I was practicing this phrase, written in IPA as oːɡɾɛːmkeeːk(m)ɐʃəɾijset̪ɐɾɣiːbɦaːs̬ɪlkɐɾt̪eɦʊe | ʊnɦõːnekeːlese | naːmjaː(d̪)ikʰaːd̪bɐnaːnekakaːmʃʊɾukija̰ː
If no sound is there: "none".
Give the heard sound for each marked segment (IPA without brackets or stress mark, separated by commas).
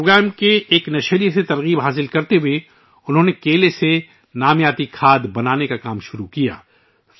n, t̪